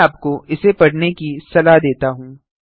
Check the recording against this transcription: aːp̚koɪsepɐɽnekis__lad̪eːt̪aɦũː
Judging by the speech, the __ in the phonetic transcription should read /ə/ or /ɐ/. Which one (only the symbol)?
ɐ